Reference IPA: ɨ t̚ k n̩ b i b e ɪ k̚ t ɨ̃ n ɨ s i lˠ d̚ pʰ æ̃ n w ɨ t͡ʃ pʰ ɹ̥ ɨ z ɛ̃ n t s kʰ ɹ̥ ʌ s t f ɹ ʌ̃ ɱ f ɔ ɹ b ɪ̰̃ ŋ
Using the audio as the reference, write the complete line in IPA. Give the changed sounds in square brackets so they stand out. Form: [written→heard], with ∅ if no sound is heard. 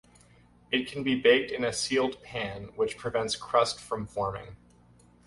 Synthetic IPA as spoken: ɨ t̚ [k→kʰ] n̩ b i b e ɪ k̚ t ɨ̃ n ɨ s i lˠ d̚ pʰ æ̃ n w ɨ t͡ʃ pʰ ɹ̥ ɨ [z→v] ɛ̃ n t s kʰ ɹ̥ ʌ s t f ɹ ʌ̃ ɱ f ɔ ɹ [b→m] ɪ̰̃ ŋ